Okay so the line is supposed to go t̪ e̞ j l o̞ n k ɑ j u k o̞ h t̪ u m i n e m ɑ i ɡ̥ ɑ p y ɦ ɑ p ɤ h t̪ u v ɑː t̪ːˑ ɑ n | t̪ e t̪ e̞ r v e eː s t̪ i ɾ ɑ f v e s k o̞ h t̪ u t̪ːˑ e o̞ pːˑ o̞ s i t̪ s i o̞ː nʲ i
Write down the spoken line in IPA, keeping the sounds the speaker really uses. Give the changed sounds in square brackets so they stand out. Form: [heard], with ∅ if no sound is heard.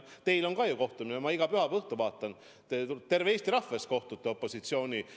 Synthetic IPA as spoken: t̪ e̞ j l o̞ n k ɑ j u k o̞ h t̪ u m i n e m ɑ i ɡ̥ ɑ p y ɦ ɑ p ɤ h t̪ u v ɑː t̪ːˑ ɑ n | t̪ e t̪ e̞ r v e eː s t̪ i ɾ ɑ f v e s k o̞ h t̪ u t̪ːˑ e o̞ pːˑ o̞ s i t̪ s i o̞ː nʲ i